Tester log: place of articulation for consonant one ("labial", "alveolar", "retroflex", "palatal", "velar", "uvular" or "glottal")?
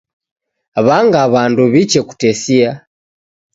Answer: labial